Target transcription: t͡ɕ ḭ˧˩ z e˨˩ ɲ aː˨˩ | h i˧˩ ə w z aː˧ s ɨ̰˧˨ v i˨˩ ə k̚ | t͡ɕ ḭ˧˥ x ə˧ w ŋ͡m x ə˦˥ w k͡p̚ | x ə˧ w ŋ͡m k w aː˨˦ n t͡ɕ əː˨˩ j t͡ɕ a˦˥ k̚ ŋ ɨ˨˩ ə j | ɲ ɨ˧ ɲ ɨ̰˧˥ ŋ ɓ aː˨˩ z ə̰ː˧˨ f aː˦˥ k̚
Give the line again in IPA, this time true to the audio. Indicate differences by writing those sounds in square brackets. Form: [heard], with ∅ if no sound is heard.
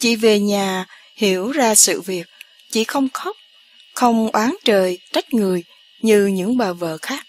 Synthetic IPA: t͡ɕ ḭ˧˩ [v] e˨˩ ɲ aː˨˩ | h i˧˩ ə w z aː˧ s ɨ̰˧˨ v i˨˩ ə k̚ | t͡ɕ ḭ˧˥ x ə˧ w ŋ͡m x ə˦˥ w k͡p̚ | x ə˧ w ŋ͡m [ʔ] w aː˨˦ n t͡ɕ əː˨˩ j t͡ɕ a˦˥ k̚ ŋ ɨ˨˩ ə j | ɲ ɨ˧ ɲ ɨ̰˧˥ ŋ ɓ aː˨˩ [v] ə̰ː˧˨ [x] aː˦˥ k̚